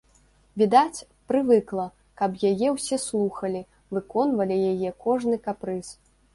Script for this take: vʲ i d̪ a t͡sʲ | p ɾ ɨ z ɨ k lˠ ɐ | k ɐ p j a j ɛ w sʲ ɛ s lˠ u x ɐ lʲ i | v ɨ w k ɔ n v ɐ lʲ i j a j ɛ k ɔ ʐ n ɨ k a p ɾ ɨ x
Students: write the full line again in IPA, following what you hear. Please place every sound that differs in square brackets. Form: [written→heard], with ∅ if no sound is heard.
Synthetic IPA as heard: vʲ i d̪ a t͡sʲ | p ɾ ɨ [z→v] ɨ k lˠ ɐ | k ɐ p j a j ɛ w sʲ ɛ s lˠ u x ɐ lʲ i | v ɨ [w→∅] k ɔ n v ɐ lʲ i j a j ɛ k ɔ ʐ n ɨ k a p ɾ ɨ [x→s]